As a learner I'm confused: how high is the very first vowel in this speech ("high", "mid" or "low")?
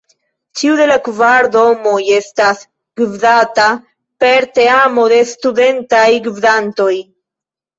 high